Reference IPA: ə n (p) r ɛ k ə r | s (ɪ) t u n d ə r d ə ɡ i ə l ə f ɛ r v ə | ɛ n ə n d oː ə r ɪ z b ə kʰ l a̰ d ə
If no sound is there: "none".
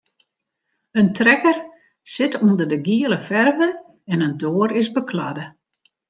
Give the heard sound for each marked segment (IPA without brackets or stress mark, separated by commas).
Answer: t, ɪ